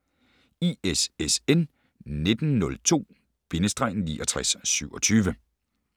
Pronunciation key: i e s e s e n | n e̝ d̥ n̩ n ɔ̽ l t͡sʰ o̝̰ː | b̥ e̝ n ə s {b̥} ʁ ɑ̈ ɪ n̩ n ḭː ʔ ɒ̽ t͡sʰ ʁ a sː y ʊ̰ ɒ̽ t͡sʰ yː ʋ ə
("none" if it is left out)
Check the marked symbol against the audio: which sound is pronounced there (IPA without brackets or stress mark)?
d̥